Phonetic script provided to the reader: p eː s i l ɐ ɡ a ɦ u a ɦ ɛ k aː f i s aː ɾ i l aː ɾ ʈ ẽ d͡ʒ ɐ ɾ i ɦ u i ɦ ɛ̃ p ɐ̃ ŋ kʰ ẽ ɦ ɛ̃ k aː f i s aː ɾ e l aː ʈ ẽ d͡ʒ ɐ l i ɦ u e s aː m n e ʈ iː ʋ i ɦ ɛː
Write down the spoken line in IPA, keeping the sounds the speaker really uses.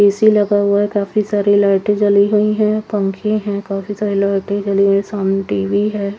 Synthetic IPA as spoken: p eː s i l ɐ ɡ a ɦ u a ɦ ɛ k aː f i s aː ɾ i l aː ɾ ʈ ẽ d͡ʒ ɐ l i ɦ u i ɦ ɛ̃ p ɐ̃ ŋ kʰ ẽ ɦ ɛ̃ k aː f i s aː ɾ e l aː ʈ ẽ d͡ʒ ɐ l i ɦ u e s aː m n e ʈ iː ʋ i ɦ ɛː